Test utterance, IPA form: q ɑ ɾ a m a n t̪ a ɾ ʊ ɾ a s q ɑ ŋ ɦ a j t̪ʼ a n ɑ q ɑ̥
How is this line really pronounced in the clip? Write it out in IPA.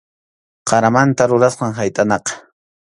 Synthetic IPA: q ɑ ɾ a m a n t̪ a ɾ ʊ ɾ a s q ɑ ŋ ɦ a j t̪ʼ a n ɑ q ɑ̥